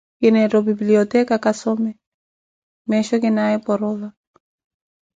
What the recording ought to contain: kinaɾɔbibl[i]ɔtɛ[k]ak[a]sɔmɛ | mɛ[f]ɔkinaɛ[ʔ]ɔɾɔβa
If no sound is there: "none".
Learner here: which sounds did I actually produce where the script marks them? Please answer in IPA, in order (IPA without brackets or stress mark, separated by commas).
i, k, a, ʃ, p